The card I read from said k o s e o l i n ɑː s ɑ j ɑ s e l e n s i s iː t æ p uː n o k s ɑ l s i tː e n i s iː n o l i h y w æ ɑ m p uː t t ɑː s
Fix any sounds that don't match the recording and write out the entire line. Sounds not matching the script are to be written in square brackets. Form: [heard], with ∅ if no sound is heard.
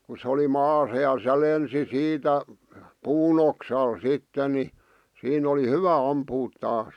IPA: k [u] s e o l i [m] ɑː s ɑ j ɑ s e l e n s i s iː t æ p uː n o k s ɑ l s i tː e n i s iː n o l i h y [ʋ] æ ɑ m p uː t t ɑː s